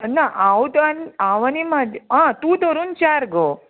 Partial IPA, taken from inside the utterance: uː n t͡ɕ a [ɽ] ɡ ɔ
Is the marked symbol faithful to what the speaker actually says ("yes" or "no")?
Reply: no